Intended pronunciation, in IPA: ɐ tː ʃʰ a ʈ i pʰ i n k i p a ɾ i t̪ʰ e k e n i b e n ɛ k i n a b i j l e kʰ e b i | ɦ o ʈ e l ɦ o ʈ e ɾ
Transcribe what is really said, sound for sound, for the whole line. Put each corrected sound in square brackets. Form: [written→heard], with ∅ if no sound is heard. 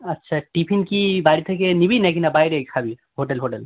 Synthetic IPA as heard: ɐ tː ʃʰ a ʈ i pʰ i n k i [p→b] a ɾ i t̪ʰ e k e n i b [e→i] n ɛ k i n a b [i→a] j [l→ɾ] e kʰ [e→a] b i | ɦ o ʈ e l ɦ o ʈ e [ɾ→l]